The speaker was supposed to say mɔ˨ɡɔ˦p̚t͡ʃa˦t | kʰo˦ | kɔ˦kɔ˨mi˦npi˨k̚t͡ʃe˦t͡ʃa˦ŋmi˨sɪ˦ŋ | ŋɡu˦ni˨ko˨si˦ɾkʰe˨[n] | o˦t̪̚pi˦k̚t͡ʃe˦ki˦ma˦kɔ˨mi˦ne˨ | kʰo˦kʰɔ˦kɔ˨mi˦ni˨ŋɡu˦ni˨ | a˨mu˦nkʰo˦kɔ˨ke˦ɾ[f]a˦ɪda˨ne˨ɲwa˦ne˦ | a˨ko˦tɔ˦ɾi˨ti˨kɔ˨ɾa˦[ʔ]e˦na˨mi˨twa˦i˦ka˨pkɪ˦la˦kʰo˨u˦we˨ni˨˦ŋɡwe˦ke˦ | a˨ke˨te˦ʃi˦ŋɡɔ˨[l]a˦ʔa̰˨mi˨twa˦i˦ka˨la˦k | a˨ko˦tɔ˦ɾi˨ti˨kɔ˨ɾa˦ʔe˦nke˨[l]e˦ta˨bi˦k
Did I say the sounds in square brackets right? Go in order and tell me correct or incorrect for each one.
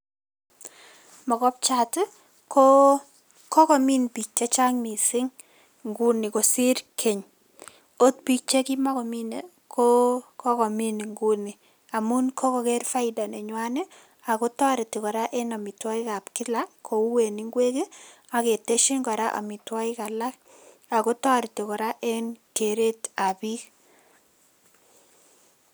incorrect: ɲ, correct, correct, incorrect: ɾ, incorrect: ɾ

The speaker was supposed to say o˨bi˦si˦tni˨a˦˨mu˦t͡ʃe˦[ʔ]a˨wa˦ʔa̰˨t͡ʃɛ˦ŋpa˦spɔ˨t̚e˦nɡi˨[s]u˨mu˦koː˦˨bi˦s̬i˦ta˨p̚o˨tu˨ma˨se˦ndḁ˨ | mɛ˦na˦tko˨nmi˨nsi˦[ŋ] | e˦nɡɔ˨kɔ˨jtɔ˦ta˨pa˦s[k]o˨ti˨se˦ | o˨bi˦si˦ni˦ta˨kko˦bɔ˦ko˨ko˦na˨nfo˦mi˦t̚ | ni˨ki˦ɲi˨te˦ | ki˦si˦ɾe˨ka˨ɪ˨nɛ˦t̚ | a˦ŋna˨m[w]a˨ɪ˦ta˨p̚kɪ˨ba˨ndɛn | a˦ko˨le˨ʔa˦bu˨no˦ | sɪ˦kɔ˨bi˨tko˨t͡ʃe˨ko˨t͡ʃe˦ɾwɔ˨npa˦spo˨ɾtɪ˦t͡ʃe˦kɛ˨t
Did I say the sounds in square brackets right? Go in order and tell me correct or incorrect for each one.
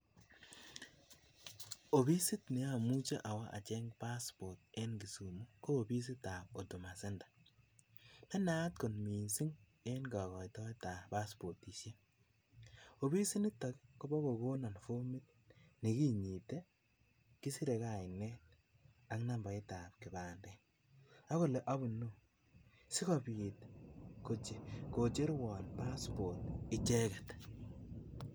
correct, correct, correct, incorrect: p, incorrect: b

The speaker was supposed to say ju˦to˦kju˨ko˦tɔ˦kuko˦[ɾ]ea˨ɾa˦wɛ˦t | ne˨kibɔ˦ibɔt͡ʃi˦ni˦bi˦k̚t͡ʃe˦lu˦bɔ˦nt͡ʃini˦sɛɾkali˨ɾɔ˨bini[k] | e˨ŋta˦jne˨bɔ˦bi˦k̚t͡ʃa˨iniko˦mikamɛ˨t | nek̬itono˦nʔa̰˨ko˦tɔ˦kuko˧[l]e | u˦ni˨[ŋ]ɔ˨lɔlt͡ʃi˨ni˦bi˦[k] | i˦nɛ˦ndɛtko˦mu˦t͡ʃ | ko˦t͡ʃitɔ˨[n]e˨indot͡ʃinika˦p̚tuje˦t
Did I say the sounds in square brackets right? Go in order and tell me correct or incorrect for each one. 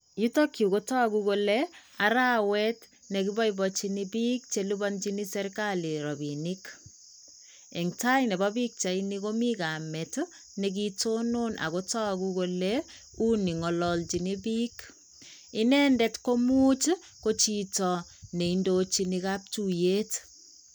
incorrect: l, correct, correct, correct, correct, correct

